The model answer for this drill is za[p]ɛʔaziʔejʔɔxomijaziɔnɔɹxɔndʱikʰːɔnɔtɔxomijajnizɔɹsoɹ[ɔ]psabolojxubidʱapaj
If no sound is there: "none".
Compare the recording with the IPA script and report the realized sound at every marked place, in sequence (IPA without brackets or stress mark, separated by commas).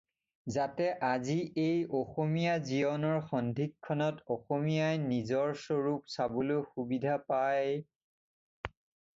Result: t, u